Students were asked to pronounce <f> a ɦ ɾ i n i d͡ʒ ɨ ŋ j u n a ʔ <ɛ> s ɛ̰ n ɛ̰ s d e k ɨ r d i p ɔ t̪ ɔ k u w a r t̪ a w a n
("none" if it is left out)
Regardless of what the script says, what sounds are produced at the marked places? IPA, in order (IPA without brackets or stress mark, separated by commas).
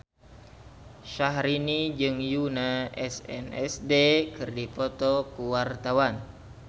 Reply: ʃ, ɛ